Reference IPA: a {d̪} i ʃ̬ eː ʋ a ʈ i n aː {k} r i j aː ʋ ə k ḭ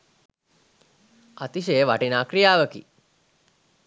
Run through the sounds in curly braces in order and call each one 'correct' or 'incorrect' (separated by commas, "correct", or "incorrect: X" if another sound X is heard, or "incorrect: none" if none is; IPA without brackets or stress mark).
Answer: incorrect: t̪, correct